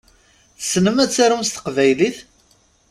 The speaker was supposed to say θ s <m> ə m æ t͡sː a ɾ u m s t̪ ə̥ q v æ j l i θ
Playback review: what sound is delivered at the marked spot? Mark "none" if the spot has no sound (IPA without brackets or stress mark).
n